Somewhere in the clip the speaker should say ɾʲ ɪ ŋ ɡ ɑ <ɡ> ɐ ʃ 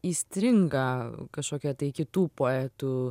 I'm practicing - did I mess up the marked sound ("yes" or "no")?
yes